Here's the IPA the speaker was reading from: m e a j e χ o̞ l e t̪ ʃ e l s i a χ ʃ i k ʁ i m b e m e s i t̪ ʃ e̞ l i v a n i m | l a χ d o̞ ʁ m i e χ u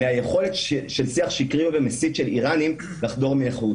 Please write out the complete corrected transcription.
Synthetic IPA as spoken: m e a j e χ o̞ l e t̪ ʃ e l s i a χ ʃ i k ʁ i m v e m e s i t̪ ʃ e̞ l i ʁ a n i m | l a χ d o̞ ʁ m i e χ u

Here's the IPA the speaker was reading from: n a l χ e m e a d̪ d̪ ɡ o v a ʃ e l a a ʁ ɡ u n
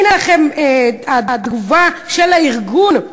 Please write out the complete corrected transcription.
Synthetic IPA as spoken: n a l χ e m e a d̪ d̪ ɡ u v a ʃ e l a i ʁ ɡ u n

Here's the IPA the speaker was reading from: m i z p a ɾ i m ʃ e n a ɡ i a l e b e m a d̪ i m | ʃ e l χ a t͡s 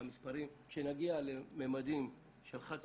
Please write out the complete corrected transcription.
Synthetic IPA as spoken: m i s p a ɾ i m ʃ e n a ɡ i a l e m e m a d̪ i m | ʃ e l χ a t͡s

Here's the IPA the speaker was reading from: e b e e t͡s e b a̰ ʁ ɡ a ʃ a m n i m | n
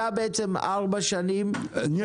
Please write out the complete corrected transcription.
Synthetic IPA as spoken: a b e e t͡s e m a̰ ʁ b a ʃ a n i m | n

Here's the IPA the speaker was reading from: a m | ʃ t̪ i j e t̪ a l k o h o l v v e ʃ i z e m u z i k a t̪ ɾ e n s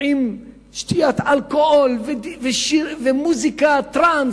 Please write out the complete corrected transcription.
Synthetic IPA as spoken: i m | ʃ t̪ i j a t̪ a l k o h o l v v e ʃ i v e m u z i k a t̪ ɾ a n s

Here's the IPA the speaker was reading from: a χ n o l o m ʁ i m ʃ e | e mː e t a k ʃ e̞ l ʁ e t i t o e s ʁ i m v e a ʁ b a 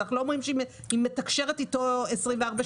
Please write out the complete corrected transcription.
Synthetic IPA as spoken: a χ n u l o m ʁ i m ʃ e | i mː e t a k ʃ e̞ ʁ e t i t o e s ʁ i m v e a ʁ b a

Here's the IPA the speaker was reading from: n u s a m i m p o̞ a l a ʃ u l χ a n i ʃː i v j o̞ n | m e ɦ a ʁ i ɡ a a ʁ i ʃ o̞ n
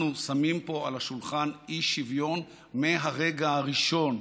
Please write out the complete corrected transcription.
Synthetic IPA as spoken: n u s a m i m p o̞ a l a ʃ u l χ a n i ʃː i v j o̞ n | m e ɦ a ʁ e ɡ a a ʁ i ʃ o̞ n

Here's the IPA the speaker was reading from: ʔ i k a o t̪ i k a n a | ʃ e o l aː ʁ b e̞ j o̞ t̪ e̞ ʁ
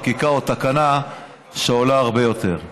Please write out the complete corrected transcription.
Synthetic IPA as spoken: k i k a o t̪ a k a n a | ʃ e o l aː ʁ b e̞ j o̞ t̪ e̞ ʁ

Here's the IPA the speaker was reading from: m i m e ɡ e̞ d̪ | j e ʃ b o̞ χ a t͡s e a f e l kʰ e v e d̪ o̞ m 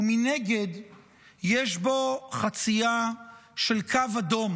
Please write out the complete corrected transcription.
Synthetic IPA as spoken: m i n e ɡ e̞ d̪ | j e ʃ b o̞ χ a t͡s i a ʃ e l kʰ a v a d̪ o̞ m

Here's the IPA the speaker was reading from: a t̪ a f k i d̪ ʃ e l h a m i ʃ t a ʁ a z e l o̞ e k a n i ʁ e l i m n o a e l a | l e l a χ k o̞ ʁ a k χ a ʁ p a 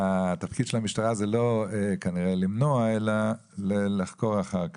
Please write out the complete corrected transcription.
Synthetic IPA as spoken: a t̪ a f k i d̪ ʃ e l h a m i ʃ t a ʁ a z e l o̞ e k a n i ʁ e l i m n o a e l a | l e l a χ k o̞ ʁ a χ a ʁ k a

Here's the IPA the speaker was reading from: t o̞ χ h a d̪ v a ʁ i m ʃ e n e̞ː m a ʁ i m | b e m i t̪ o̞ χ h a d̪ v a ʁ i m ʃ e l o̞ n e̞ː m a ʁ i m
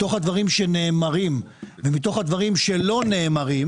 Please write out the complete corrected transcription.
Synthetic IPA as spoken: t o̞ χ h a d̪ v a ʁ i m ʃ e n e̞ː m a ʁ i m | v e m i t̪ o̞ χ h a d̪ v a ʁ i m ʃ e l o̞ n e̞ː m a ʁ i m

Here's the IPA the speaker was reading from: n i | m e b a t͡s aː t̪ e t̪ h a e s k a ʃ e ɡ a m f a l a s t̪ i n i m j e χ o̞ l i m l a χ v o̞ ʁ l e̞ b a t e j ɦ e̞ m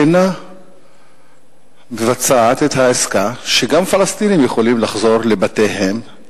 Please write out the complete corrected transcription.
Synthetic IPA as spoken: n a | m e v a t͡s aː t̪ e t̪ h a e s k a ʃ e ɡ a m f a l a s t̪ i n i m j e χ o̞ l i m l a χ z o̞ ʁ l e̞ b a t e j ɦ e̞ m

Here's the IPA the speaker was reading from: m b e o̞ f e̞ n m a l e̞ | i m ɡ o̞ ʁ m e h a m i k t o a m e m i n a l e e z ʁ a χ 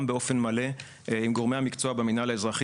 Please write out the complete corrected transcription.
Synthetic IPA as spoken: m b e o̞ f e̞ n m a l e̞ | i m ɡ o̞ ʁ m e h a m i k t͡s o a b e m i n a l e e z ʁ a χ

